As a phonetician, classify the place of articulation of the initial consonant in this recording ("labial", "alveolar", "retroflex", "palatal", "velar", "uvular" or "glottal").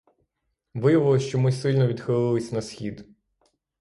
labial